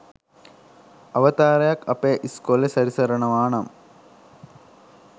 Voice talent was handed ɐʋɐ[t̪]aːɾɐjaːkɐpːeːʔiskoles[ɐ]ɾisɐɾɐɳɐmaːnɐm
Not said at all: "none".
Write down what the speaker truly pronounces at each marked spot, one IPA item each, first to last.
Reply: t̪, ɐ

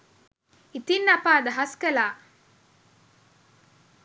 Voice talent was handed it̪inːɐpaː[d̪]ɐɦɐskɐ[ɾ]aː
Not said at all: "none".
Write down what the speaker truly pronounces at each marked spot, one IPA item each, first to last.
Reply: d̪, l

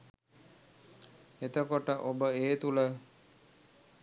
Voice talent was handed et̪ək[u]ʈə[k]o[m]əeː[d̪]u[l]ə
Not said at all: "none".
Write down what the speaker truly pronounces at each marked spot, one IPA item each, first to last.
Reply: o, ʔ, b, t̪, l

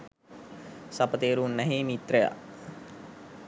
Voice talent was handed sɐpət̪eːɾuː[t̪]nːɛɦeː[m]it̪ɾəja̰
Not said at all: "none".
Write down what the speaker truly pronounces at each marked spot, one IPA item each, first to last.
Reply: none, m

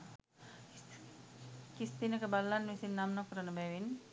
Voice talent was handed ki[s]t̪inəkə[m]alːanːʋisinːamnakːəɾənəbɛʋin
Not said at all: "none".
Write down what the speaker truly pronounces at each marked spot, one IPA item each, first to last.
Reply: s, b

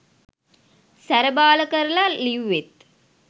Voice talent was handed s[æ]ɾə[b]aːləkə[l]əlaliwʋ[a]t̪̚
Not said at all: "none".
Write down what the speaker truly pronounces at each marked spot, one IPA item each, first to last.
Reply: æ, b, ɾ, e

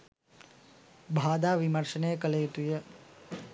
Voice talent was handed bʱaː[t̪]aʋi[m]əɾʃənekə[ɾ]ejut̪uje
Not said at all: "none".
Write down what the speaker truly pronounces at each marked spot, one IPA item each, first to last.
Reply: d̪, m, l

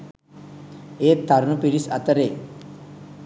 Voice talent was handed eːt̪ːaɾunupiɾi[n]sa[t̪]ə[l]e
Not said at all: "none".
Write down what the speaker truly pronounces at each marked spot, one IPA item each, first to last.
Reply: none, t̪, ɾ

